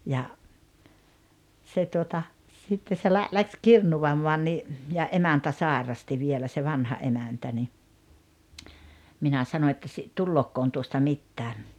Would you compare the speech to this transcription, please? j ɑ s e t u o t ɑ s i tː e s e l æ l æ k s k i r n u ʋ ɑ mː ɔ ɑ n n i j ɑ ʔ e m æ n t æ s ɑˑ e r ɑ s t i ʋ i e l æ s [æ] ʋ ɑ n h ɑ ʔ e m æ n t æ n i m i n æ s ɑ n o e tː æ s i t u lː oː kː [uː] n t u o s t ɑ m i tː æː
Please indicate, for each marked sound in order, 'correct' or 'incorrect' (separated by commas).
incorrect, incorrect